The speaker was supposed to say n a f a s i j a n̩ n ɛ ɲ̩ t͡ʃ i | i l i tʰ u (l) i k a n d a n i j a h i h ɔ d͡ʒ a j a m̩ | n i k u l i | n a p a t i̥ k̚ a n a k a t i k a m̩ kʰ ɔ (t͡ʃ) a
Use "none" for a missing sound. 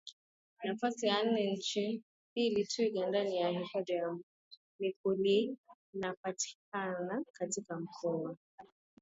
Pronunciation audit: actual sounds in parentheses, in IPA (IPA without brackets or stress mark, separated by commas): none, none